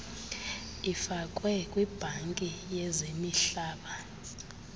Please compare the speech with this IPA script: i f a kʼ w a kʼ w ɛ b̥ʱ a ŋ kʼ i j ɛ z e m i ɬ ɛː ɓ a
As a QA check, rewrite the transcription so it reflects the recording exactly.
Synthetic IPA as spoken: i f a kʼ w ɛ kʼ w i b̥ʱ a ŋ kʼ i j ɛ z e m i ɬ aː ɓ a